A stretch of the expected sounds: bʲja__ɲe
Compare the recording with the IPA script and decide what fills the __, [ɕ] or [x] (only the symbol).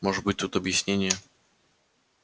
ɕ